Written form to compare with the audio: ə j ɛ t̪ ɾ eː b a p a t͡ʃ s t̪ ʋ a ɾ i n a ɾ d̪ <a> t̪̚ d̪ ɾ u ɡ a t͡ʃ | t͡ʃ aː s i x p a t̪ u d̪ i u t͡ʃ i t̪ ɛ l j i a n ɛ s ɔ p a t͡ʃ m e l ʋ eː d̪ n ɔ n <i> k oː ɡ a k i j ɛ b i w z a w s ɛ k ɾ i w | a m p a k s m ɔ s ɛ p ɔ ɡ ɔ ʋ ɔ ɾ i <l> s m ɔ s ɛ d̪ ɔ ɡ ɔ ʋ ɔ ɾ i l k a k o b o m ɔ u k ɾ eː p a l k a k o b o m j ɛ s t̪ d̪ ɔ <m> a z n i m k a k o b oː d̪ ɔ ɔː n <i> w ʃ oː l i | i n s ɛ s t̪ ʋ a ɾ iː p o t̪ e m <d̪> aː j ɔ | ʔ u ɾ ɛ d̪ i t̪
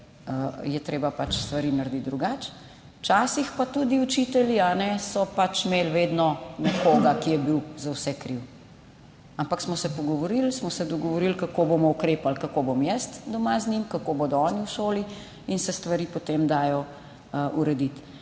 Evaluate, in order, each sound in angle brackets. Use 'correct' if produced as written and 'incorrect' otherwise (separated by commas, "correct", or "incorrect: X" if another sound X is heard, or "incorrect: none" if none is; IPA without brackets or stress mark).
incorrect: i, incorrect: ɛ, correct, correct, correct, correct